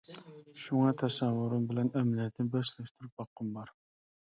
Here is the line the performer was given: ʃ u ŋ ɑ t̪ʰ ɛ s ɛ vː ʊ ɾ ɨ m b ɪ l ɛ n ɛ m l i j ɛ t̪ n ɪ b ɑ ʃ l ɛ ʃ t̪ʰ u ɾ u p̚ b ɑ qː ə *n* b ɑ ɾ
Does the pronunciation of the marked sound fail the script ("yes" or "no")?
yes